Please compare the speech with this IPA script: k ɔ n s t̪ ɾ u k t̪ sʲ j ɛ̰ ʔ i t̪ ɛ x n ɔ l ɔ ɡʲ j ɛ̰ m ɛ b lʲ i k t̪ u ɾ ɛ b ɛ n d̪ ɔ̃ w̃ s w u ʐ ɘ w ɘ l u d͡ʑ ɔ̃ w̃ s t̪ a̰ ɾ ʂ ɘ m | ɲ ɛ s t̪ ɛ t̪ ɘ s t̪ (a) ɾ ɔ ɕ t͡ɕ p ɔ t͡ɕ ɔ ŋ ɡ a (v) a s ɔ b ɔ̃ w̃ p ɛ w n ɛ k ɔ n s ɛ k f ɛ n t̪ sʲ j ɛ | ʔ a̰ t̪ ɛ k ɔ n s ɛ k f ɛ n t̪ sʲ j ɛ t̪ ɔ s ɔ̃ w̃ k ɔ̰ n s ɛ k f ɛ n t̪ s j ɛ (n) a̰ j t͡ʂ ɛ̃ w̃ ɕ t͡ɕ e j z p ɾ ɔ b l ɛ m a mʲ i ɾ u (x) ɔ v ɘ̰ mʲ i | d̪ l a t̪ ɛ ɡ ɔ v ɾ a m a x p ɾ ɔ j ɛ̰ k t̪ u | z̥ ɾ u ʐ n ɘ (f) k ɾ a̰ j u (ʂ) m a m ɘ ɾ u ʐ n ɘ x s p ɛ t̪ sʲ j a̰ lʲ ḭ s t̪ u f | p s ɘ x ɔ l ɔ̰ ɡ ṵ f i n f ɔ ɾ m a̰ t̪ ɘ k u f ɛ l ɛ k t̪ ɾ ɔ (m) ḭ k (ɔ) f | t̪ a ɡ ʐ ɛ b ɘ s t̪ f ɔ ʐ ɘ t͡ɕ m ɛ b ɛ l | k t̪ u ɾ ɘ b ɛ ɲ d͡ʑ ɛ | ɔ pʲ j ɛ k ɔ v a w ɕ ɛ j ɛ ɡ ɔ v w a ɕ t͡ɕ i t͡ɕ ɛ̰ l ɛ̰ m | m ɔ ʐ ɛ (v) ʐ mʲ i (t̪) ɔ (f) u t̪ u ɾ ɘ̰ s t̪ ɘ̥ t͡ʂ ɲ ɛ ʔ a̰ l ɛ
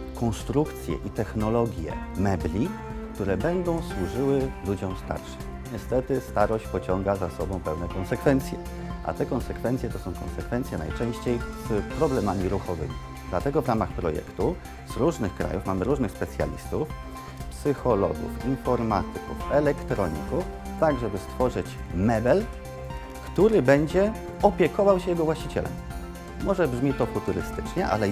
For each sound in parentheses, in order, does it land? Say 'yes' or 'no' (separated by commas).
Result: yes, no, yes, yes, no, no, no, no, no, yes, yes